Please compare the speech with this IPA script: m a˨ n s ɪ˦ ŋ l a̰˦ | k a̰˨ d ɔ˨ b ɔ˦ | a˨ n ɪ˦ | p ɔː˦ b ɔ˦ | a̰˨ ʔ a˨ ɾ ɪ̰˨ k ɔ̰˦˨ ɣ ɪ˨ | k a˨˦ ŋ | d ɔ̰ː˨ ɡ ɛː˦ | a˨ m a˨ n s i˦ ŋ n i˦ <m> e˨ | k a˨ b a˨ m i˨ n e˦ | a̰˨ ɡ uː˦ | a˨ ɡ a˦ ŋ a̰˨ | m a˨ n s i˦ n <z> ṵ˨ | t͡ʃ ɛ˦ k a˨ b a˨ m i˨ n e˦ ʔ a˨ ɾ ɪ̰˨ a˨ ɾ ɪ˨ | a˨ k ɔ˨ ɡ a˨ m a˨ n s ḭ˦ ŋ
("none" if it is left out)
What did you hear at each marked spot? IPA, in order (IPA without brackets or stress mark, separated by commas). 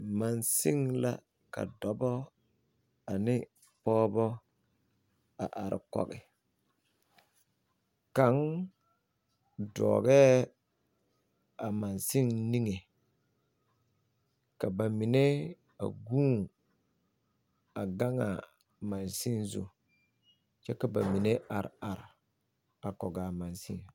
ŋ, z